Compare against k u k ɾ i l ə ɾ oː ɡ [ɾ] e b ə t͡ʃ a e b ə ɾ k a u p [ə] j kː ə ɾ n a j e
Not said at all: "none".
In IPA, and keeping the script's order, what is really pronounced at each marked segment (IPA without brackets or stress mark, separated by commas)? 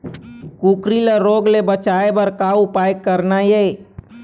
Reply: l, a